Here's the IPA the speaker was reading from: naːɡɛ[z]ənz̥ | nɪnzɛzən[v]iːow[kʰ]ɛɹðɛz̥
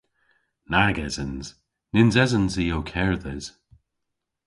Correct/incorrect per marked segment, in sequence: correct, incorrect: z, correct

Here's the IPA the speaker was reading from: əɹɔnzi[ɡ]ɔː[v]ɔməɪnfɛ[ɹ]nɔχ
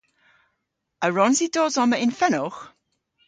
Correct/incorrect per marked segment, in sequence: incorrect: d, incorrect: z, incorrect: none

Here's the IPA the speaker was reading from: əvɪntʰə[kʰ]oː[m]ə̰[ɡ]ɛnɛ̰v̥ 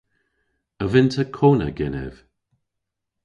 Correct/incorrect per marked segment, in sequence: correct, incorrect: n, correct

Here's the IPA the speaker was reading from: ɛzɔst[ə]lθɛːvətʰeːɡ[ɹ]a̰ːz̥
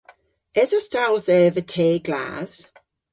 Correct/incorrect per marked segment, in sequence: incorrect: a, incorrect: l

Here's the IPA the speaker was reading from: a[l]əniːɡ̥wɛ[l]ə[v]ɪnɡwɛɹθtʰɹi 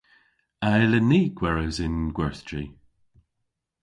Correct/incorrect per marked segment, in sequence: correct, incorrect: ɹ, incorrect: z

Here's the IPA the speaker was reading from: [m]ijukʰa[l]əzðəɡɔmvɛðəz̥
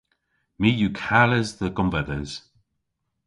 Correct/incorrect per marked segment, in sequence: correct, correct

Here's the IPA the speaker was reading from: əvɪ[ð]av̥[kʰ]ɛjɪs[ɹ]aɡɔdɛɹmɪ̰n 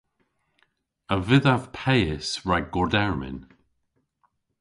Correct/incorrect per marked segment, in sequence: correct, incorrect: pʰ, correct

